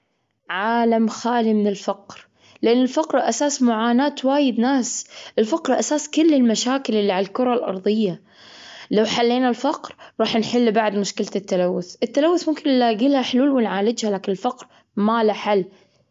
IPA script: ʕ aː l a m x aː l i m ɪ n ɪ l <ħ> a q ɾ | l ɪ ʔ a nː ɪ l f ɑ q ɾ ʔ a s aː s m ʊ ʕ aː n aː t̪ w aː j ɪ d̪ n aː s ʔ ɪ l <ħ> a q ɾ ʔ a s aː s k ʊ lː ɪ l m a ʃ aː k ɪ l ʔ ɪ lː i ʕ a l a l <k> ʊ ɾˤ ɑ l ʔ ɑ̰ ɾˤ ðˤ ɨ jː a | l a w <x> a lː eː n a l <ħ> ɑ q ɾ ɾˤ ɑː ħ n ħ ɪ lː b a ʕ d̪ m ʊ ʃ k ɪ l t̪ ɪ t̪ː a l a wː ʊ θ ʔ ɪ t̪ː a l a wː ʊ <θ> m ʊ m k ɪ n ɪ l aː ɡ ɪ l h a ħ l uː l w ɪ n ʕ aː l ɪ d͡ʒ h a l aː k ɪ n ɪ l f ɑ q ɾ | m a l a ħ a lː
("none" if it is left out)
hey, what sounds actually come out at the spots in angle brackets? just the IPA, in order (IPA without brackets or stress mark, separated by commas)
f, f, k, ħ, f, θ